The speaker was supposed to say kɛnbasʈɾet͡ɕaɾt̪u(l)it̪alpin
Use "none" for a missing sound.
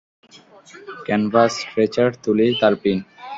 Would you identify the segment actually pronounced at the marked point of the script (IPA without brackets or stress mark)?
l